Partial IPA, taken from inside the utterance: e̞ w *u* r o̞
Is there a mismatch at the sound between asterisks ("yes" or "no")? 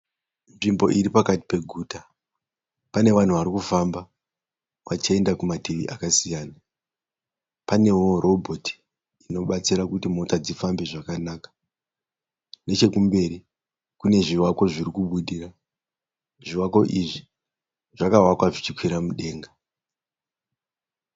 yes